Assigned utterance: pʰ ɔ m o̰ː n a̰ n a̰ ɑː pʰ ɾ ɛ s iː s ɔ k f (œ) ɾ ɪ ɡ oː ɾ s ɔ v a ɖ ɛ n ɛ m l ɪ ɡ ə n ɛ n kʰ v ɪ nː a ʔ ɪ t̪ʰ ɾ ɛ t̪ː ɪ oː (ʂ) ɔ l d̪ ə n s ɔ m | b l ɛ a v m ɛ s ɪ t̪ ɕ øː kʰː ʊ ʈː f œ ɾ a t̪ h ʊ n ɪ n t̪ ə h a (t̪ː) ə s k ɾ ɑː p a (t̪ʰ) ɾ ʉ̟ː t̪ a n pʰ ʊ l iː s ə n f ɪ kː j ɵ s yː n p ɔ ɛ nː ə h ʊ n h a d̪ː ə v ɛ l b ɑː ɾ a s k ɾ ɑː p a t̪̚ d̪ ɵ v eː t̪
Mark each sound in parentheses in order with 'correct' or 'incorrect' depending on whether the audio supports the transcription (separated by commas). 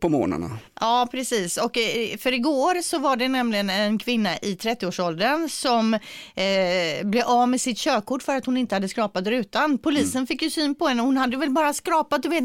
correct, correct, incorrect, incorrect